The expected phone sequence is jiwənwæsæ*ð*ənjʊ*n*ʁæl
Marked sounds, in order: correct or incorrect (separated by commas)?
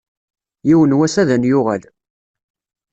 correct, incorrect